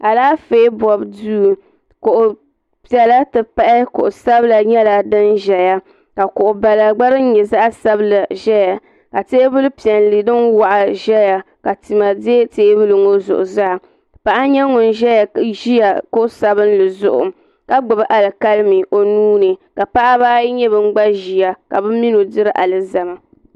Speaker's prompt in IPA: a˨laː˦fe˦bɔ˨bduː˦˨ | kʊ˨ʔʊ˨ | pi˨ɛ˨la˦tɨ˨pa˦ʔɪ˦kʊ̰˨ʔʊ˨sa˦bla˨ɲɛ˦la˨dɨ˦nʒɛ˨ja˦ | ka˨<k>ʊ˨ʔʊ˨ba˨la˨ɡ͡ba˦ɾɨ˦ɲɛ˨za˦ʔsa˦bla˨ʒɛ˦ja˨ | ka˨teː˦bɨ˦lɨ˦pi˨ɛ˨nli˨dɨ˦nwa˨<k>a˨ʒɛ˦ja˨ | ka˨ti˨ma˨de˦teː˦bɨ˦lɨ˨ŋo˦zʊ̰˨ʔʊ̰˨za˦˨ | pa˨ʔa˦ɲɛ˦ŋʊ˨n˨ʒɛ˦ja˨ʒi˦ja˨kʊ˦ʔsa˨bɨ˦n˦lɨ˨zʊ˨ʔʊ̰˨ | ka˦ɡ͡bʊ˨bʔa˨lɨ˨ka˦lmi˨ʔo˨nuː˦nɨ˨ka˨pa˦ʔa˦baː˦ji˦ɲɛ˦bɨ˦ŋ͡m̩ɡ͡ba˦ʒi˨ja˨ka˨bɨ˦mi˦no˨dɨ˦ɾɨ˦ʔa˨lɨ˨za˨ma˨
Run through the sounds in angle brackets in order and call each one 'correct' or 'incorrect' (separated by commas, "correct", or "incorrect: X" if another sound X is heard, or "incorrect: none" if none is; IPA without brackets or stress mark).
correct, incorrect: ʔ